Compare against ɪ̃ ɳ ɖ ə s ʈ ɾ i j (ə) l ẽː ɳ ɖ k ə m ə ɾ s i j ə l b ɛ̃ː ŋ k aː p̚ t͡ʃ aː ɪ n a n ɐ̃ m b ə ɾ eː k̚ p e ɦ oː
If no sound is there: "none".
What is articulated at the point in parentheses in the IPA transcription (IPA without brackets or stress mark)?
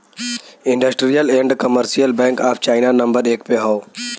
ə